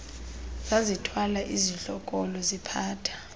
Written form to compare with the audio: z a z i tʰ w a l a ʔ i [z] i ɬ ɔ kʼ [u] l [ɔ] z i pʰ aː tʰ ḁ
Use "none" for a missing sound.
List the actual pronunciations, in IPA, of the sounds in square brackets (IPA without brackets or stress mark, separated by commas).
z, ɔ, ɔ